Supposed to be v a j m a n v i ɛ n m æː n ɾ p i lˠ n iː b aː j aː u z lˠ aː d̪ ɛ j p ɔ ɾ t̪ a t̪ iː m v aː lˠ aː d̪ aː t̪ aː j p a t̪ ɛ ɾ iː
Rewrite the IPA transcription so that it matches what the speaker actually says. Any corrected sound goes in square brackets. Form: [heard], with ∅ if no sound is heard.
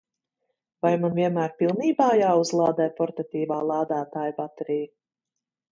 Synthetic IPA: v a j m a n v i ɛ n m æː [∅] ɾ p i lˠ n iː b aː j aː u z lˠ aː d̪ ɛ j p ɔ ɾ t̪ a t̪ iː [∅] v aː lˠ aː d̪ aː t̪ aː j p a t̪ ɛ ɾ iː